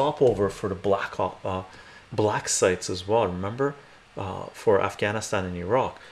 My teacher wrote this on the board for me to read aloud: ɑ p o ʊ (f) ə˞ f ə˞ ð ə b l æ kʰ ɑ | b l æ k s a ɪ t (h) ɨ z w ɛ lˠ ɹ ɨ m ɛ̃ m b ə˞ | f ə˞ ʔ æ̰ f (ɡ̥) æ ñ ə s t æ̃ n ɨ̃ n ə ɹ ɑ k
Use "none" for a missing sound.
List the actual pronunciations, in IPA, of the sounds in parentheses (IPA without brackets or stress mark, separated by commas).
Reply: v, s, ɡ̥